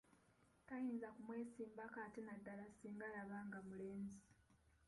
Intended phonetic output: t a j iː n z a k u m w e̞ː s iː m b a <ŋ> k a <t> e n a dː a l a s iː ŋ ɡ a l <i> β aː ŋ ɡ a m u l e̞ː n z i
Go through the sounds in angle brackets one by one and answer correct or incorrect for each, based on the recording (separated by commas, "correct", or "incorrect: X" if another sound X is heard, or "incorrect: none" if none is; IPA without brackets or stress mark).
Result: incorrect: none, correct, incorrect: a